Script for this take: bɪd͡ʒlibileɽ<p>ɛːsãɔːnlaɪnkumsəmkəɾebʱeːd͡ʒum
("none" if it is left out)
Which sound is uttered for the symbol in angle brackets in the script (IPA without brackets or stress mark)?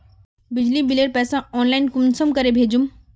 p